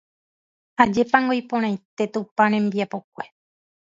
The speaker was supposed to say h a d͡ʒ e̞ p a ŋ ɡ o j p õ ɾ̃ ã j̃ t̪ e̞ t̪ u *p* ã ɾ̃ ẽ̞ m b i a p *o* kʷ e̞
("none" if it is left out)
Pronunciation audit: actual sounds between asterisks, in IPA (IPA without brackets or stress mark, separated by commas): p, o